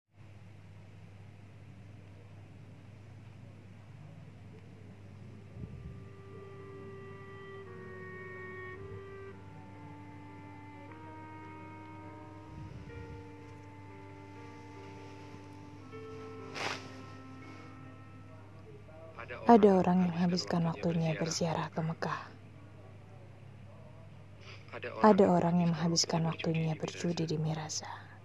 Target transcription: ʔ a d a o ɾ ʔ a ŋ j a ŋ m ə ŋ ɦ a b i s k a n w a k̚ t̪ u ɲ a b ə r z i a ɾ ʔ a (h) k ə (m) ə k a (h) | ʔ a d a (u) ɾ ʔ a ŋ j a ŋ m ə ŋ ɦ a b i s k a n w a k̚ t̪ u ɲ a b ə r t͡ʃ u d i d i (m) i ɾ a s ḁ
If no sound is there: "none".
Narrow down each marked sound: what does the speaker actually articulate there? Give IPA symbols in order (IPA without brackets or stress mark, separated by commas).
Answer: h, m, h, o, m